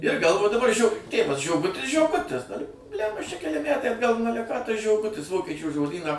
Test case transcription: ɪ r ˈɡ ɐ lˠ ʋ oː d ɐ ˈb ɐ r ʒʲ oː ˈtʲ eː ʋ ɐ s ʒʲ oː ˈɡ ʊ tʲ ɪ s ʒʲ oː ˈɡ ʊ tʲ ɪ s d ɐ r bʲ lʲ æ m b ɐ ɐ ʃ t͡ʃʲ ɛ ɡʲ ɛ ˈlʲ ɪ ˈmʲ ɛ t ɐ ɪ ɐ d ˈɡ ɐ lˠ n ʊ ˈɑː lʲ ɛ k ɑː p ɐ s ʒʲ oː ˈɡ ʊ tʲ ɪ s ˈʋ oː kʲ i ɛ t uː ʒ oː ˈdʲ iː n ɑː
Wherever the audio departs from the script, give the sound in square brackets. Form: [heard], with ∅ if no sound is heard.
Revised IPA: ɪ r ˈɡ ɐ lˠ ʋ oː d ɐ ˈb ɐ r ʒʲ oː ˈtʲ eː ʋ ɐ s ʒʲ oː ˈɡ ʊ tʲ ɪ s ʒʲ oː ˈɡ ʊ tʲ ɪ s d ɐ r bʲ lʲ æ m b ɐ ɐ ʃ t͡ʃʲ ɛ [kʲ] ɛ ˈlʲ ɪ ˈmʲ [æ] t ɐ ɪ ɐ d ˈɡ ɐ lˠ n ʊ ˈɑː lʲ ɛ k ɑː [t] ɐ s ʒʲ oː ˈɡ ʊ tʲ ɪ s ˈʋ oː kʲ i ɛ [t͡ʃʲ] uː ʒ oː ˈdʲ iː n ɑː